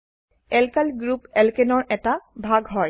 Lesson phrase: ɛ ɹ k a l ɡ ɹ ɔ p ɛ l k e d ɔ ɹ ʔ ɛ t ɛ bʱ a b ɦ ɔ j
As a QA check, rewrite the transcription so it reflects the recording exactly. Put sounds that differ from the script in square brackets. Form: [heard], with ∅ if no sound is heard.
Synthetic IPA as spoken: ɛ [l] k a l ɡ ɹ [u] p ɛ l k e [n] ɔ ɹ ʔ ɛ t [a] bʱ a [ɡ] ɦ ɔ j